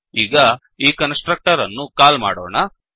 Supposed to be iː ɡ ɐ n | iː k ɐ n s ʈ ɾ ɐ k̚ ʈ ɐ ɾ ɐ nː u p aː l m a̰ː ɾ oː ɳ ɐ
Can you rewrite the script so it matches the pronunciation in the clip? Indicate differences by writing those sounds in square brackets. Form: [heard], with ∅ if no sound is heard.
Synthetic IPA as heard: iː ɡ ɐ [∅] | iː k ɐ n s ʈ ɾ ɐ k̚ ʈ ɐ ɾ ɐ nː u [k] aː l m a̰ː [ɽ] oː ɳ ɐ